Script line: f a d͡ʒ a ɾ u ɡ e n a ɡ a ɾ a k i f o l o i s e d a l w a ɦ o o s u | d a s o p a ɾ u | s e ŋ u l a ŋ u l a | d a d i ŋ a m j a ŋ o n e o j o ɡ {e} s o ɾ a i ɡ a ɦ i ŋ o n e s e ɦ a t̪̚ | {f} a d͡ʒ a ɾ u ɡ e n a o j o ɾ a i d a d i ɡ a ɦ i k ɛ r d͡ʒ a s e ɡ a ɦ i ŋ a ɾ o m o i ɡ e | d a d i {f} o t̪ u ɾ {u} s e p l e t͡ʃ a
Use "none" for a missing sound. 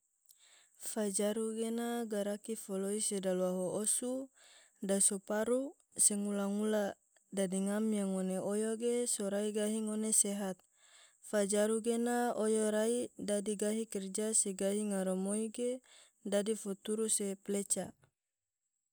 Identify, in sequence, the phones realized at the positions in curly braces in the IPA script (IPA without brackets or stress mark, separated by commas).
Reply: e, f, f, u